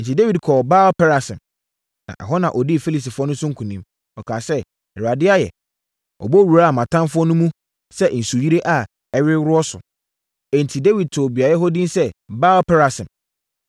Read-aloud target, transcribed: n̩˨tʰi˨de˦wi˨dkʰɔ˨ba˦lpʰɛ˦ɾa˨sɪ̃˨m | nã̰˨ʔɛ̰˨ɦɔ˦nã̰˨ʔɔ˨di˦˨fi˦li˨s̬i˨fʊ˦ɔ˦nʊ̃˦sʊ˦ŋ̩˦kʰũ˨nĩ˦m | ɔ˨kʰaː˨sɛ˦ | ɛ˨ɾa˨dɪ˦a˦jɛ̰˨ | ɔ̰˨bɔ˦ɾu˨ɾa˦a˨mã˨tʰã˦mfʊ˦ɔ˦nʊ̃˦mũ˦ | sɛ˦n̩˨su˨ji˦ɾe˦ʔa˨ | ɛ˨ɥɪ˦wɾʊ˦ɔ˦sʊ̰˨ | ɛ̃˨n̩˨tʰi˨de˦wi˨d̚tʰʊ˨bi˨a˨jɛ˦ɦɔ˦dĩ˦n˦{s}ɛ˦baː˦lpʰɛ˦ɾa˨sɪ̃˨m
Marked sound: correct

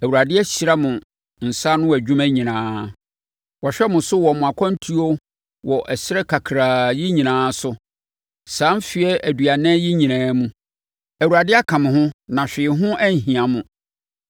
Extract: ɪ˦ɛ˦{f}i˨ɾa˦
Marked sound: incorrect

